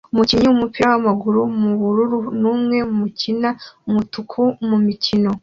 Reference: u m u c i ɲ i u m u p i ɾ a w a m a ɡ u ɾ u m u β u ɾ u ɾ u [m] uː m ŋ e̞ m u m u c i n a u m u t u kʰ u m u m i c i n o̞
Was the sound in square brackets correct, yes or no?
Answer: no